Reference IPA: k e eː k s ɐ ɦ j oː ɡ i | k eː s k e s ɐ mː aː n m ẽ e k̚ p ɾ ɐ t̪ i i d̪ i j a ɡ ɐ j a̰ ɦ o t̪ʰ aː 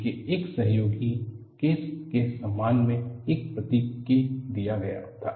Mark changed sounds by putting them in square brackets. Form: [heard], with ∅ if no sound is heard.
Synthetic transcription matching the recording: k e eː k s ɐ ɦ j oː ɡ i | k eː s k e s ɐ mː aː n m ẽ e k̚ p ɾ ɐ t̪ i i d̪ i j a ɡ ɐ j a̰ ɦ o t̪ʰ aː